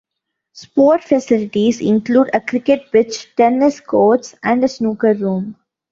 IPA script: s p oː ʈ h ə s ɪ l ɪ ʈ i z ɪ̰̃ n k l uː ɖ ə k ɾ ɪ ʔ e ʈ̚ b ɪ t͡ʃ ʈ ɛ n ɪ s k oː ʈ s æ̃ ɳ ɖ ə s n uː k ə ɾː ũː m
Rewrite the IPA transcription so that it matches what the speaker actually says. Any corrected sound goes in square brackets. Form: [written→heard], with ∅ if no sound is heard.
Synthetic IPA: s p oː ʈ [h→f] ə s ɪ l ɪ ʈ i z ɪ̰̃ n k l uː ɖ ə k ɾ ɪ [ʔ→k] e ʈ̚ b ɪ t͡ʃ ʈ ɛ n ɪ s k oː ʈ s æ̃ ɳ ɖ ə s n uː k ə ɾː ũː m